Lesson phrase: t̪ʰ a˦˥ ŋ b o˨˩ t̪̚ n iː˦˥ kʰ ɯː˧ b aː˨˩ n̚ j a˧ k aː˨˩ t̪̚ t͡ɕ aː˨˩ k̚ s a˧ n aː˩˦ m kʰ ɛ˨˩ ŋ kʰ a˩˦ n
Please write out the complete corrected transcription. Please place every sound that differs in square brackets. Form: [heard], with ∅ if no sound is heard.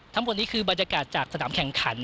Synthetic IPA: t̪ʰ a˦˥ [m] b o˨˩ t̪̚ n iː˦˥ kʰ ɯː˧ b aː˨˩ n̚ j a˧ k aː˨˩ t̪̚ t͡ɕ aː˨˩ k̚ s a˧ n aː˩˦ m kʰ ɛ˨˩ ŋ kʰ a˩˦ n